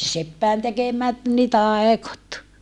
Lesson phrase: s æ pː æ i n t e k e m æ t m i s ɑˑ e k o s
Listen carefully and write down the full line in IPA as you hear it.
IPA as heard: s e pː æ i n t e k e m æ t n i t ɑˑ e k o t

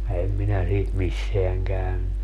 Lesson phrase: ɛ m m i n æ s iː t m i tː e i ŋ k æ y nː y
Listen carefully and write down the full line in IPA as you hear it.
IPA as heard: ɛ m m i n æ s iː t m i sː e æ ŋ k æ y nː y

